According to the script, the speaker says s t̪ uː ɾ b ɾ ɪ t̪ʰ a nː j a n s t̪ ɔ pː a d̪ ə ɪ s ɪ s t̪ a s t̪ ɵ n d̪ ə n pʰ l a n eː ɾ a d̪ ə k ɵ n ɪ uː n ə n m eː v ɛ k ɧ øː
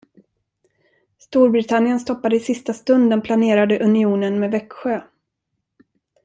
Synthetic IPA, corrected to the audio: s t̪ uː ɾ b ɾ ɪ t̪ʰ a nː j ə n s t̪ ɔ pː a d̪ ə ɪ s ɪ s t̪ a s t̪ ɵ n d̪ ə n pʰ l a n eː ɾ a d̪ ə ʔ ɵ n ɪ uː n ə n m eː v ɛ k ɧ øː